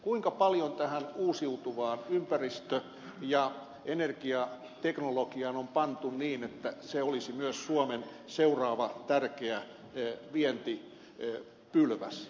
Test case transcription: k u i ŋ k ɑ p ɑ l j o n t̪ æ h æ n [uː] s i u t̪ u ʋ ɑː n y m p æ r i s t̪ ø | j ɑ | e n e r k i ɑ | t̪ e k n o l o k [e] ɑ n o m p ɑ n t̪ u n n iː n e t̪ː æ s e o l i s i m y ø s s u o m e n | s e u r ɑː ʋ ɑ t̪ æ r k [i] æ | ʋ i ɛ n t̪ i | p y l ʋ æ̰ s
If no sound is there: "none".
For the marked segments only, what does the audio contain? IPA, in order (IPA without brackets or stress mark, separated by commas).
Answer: uː, i, e